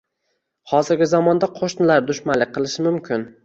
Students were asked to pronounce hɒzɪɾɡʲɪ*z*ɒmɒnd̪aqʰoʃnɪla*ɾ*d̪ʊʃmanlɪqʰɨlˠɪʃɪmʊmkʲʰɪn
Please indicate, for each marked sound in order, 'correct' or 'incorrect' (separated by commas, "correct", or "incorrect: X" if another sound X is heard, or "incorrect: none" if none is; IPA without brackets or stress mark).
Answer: correct, correct